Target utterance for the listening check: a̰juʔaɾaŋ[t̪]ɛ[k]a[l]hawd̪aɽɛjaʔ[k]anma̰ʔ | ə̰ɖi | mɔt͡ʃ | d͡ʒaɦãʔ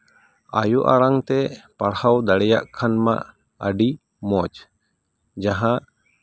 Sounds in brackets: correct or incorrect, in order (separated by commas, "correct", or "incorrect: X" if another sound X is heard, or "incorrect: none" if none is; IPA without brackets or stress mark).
correct, incorrect: p, incorrect: ɽ, incorrect: kʰ